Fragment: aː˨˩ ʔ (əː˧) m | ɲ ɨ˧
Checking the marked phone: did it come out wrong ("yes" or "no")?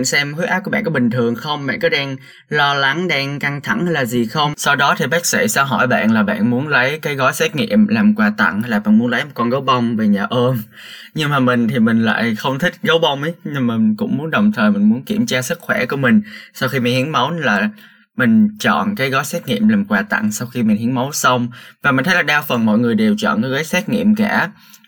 no